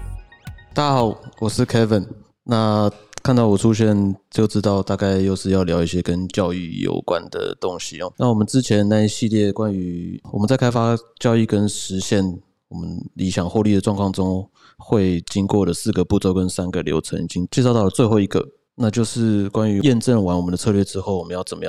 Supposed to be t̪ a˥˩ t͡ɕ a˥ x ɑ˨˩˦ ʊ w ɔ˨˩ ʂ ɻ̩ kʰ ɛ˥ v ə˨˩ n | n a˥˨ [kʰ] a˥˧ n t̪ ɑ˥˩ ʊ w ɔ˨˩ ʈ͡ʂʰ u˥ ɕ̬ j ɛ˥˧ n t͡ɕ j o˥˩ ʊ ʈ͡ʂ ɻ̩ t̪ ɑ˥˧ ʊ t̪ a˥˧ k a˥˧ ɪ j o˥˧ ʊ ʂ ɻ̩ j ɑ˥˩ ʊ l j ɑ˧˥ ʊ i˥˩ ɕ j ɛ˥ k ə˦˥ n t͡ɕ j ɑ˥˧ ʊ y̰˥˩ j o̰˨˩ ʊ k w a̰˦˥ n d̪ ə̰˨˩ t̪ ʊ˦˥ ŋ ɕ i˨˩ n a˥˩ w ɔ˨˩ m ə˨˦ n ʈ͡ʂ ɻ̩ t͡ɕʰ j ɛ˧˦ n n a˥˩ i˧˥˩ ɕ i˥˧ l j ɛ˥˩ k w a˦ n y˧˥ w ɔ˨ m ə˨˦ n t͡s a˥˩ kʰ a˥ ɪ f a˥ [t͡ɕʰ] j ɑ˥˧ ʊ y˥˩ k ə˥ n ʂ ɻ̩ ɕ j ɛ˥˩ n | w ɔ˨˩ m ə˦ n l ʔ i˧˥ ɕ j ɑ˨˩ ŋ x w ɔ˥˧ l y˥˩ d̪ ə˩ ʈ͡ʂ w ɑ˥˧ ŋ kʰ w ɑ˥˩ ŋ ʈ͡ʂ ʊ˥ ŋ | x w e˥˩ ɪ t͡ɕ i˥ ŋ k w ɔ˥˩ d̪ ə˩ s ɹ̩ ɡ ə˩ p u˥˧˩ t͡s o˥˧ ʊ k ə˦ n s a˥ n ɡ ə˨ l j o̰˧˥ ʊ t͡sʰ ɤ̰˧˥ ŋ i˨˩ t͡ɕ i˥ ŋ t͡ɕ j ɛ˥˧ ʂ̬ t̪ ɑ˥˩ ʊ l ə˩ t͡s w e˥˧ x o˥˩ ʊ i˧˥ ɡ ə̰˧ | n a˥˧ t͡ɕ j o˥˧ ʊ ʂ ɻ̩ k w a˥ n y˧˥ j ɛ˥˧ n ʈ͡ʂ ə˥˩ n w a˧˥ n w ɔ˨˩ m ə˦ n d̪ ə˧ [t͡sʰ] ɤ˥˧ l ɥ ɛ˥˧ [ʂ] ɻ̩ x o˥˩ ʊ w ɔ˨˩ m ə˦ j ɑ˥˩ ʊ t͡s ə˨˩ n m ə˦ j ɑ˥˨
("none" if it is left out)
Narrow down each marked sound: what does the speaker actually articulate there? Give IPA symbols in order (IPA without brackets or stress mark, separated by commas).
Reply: kʰ, t͡ɕ, t͡sʰ, ʈ͡ʂ